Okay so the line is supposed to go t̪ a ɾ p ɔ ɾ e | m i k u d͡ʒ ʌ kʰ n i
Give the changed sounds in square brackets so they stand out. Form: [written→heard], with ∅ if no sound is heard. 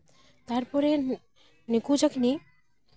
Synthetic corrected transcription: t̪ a ɾ p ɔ ɾ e | [m→n] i k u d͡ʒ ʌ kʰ n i